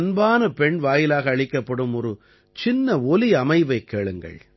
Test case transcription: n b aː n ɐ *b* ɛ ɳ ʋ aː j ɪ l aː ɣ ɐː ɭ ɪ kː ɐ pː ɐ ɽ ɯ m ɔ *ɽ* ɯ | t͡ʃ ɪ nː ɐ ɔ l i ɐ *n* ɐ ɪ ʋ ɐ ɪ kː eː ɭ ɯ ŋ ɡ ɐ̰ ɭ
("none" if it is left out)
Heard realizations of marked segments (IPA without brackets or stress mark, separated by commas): p, ɾ, m